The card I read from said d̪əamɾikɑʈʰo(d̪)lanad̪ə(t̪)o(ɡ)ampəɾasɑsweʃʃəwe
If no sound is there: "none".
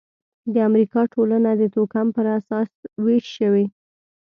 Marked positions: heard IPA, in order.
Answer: none, t̪, k

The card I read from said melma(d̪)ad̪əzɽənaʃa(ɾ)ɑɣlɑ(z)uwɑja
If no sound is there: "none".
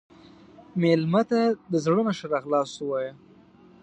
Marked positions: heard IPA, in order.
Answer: t̪, ɾ, s

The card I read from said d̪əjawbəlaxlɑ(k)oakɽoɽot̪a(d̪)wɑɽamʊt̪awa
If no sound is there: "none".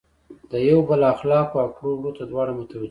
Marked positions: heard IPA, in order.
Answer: k, d̪

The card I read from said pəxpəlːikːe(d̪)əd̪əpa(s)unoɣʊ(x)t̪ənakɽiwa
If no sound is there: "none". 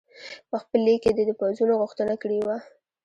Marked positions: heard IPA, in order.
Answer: d̪, z, x

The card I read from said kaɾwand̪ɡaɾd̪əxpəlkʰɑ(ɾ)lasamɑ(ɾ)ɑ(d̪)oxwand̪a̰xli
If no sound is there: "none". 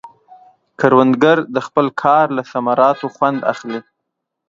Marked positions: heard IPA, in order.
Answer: ɾ, ɾ, t̪

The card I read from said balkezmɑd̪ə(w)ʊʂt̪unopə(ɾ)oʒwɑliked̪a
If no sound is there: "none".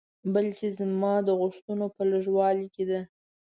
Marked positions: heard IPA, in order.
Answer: ɣ, l

